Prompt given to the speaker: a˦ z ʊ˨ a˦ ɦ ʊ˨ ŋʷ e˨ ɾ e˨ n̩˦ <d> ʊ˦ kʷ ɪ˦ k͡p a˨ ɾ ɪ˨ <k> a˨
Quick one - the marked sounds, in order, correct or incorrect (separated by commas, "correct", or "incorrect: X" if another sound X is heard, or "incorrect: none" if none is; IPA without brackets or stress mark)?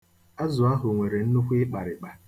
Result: incorrect: n, incorrect: k͡p